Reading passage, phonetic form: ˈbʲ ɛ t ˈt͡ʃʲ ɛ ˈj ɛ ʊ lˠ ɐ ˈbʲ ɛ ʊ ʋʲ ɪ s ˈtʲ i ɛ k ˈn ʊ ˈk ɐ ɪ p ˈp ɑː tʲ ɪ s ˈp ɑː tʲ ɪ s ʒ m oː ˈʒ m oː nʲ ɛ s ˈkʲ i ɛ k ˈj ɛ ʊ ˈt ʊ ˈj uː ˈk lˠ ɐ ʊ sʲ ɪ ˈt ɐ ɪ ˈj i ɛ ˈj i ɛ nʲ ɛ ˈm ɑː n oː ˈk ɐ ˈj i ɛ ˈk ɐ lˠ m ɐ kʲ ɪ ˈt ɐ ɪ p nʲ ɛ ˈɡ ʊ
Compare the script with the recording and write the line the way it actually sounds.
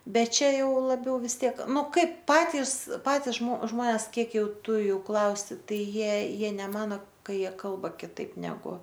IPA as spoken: ˈbʲ ɛ t ˈt͡ʃʲ ɛ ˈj ɛ ʊ lˠ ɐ ˈbʲ ɛ ʊ ʋʲ ɪ s ˈtʲ i ɛ k ˈn ʊ ˈk ɐ ɪ p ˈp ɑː tʲ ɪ s ˈp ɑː tʲ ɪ s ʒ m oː ˈʒ m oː nʲ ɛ s ˈkʲ i ɛ k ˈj ɛ ʊ ˈt ʊ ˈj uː ˈk lˠ ɐ ʊ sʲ ɪ ˈt ɐ ɪ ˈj i ɛ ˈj i ɛ nʲ ɛ ˈm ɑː n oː ˈk ɐ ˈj i ɛ ˈk ɐ lˠ b ɐ kʲ ɪ ˈt ɐ ɪ p nʲ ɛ ˈɡ ʊ